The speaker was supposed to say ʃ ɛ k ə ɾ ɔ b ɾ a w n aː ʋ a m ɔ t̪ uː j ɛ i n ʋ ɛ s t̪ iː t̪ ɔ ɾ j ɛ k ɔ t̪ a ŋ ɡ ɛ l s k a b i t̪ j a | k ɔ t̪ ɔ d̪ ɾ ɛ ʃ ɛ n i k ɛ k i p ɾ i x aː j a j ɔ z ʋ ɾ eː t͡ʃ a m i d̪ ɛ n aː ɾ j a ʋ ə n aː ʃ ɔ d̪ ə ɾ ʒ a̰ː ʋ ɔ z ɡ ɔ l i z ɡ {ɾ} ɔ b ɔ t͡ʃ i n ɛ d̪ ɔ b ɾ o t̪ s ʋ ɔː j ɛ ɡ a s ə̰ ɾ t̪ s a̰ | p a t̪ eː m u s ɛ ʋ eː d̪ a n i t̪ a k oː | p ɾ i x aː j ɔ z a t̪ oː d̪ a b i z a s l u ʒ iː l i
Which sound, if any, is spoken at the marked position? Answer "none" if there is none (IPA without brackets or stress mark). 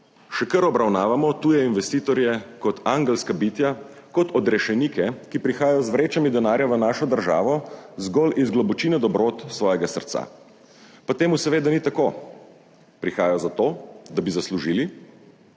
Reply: l